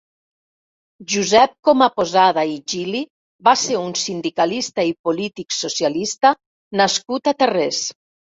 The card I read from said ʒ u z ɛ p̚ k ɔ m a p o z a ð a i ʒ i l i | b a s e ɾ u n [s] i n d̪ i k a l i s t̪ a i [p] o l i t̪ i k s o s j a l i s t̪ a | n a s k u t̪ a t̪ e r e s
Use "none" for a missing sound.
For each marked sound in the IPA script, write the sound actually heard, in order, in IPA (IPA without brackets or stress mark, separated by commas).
s, p